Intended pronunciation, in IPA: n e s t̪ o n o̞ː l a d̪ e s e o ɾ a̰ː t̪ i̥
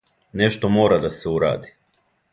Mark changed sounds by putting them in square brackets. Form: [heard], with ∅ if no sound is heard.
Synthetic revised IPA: n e [ʃ] t̪ o [m] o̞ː [ɾ] a d̪ [a] s e [u] ɾ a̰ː [d̪] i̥